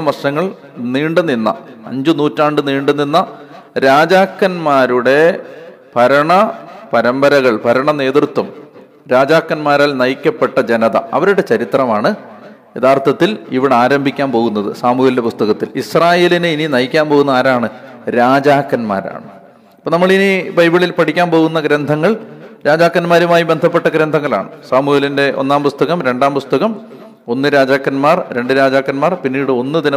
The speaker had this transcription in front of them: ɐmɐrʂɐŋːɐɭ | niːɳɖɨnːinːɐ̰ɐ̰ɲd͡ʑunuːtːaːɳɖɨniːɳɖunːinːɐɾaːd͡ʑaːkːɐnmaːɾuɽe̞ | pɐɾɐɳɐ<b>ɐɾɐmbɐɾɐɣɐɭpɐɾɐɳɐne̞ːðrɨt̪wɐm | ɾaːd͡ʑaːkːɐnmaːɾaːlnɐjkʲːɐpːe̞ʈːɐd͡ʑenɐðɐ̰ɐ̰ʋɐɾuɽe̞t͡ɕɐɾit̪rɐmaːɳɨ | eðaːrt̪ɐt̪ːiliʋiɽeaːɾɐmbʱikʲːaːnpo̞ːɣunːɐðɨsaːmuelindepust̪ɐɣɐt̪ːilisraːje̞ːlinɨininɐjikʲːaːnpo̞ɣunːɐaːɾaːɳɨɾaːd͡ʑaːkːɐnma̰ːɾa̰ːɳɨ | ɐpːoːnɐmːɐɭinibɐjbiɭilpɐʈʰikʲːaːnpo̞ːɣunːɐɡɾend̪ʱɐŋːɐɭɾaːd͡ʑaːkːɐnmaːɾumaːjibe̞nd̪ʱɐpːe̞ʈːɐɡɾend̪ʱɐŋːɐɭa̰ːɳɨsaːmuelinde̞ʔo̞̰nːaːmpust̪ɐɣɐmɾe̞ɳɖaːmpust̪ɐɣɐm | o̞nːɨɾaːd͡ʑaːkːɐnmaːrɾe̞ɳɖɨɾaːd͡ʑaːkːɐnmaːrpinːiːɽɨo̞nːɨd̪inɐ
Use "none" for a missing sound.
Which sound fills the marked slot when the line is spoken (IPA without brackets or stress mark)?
p